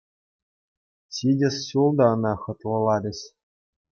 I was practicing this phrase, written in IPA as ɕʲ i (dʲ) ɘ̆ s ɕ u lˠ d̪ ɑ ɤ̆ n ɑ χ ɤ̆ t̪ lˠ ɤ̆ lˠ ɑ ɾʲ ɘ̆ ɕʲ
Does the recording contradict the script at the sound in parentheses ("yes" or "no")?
no